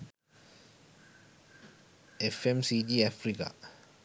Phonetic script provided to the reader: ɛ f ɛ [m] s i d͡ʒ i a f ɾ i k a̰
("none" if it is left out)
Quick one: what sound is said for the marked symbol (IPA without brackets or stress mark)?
m